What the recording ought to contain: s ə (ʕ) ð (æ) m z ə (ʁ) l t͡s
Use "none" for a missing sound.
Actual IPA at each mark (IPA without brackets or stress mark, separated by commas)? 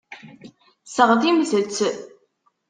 ʁ, i, none